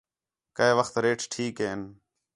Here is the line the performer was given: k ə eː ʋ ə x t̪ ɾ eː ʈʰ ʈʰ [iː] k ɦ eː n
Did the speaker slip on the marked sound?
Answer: no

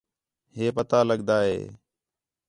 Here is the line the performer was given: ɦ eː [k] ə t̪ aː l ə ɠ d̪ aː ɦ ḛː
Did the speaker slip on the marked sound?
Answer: yes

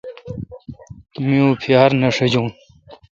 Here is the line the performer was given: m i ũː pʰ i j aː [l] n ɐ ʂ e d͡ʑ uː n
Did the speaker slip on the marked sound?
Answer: yes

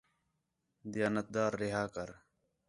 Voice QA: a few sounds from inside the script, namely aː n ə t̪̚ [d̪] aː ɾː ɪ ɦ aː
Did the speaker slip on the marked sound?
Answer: no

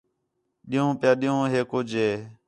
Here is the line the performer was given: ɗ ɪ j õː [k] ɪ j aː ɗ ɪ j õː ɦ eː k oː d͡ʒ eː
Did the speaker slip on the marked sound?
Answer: yes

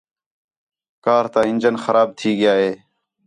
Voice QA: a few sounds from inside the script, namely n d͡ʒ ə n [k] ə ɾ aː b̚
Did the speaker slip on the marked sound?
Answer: yes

